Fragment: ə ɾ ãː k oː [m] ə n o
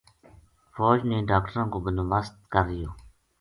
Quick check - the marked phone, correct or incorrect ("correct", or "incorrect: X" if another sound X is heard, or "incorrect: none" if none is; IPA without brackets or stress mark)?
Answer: incorrect: b